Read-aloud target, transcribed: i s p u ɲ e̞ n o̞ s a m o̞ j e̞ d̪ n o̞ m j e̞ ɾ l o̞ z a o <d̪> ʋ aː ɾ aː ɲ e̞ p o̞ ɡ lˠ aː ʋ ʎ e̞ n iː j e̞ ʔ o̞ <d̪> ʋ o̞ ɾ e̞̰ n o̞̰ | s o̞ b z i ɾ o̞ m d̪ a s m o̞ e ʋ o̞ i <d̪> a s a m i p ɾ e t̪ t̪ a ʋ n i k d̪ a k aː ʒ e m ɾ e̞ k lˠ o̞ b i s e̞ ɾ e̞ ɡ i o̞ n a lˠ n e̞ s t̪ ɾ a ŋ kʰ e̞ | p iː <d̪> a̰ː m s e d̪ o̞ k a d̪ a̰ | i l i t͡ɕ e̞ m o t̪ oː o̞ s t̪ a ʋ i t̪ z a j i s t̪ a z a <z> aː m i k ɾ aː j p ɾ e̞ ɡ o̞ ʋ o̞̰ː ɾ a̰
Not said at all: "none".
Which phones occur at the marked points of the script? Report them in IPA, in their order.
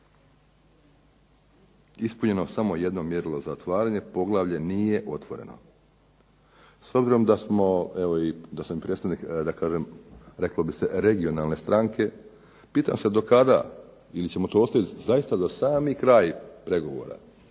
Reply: t̪, t̪, d̪, t̪, s

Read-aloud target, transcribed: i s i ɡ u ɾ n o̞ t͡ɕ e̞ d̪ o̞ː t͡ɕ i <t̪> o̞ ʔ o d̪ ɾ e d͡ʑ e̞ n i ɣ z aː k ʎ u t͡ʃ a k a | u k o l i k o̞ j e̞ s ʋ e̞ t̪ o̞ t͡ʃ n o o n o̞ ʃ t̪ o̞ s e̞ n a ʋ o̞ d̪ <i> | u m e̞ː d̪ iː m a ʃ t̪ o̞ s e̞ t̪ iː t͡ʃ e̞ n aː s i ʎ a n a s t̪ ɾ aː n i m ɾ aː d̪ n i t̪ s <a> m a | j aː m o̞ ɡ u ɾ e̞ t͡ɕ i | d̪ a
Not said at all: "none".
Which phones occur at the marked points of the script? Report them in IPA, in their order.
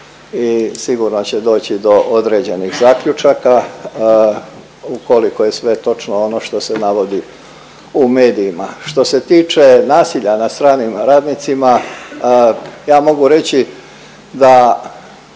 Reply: d̪, i, i

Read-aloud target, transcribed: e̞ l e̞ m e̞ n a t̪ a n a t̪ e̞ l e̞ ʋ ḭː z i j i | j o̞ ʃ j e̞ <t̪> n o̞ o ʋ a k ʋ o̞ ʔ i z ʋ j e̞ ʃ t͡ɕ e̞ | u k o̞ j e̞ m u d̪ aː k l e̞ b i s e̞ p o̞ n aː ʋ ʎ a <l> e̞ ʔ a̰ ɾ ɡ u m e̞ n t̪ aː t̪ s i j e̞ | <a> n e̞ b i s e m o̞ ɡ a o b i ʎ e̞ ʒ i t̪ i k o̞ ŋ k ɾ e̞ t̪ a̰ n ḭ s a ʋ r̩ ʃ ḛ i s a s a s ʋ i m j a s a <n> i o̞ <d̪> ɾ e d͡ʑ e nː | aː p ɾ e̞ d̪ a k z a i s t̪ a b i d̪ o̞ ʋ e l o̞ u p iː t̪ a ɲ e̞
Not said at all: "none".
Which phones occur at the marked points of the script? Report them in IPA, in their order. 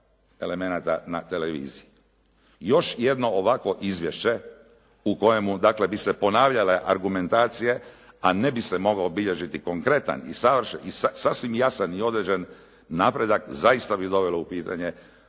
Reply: d̪, l, a, n, d̪

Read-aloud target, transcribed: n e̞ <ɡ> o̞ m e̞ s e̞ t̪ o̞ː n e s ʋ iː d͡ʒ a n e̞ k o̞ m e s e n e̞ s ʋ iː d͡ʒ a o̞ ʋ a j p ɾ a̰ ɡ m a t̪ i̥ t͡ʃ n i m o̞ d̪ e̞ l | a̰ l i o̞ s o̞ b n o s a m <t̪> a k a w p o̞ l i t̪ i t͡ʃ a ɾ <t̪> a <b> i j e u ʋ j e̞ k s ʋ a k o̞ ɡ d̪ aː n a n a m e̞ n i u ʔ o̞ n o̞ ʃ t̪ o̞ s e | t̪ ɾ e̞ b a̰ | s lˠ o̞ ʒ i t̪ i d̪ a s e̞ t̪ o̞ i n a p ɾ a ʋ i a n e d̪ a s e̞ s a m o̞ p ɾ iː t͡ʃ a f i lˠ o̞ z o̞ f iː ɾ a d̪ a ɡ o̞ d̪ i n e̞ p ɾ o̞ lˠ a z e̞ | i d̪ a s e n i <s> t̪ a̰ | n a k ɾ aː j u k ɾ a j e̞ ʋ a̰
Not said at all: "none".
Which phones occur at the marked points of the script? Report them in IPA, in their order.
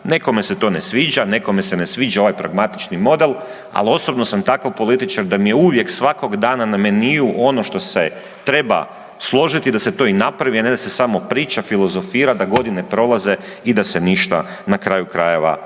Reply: k, t̪, d̪, m, ʃ

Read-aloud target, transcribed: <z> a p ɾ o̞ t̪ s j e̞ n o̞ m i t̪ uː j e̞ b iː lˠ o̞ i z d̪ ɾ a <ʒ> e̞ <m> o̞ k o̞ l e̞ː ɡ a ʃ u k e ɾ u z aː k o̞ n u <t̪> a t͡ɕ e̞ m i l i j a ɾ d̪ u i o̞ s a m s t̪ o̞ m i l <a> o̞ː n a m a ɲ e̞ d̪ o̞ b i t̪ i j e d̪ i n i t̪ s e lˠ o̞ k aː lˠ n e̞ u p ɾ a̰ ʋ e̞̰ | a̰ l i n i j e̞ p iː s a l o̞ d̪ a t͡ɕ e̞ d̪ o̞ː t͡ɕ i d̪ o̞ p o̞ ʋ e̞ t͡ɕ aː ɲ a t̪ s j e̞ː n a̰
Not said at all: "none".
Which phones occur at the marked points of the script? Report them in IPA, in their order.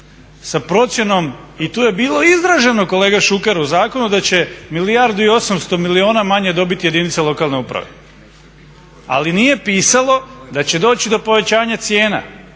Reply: s, ʒ, n, d̪, i

